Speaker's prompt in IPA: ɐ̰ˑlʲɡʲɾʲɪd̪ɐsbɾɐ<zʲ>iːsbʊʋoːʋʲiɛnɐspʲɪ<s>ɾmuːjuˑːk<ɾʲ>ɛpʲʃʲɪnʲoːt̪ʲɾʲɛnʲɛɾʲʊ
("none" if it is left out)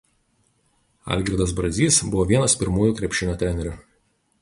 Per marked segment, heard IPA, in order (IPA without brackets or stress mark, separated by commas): zʲ, none, ɾʲ